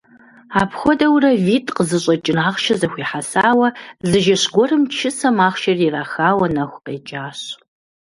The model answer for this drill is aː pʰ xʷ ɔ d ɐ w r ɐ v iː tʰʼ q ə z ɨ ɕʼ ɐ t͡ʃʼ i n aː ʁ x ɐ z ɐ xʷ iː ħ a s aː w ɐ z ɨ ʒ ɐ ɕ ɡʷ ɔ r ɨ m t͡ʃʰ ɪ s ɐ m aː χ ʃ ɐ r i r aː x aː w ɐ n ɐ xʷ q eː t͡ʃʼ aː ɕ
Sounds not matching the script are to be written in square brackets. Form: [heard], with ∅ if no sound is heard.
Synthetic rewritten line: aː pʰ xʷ ɔ d ɐ w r ɐ v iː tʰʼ q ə z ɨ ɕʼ ɐ t͡ʃʼ [ɪ] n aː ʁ [ʃ] ɐ z ɐ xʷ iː ħ a s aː w ɐ z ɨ ʒ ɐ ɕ ɡʷ ɔ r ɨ m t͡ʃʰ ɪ s ɐ m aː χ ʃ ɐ r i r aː x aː w ɐ n ɐ xʷ q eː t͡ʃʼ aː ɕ